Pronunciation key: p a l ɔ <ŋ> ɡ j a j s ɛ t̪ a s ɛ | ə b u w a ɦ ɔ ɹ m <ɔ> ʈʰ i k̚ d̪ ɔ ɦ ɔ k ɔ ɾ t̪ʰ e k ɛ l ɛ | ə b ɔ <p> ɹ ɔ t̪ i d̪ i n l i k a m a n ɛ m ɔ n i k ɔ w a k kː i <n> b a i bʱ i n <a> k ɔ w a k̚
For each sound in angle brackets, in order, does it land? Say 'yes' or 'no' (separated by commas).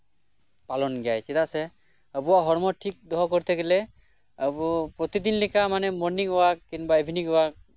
no, yes, yes, yes, no